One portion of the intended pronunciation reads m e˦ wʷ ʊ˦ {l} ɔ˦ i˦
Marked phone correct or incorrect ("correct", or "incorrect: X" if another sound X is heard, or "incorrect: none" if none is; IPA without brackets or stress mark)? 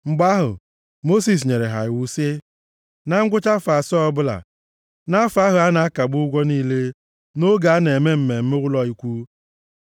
correct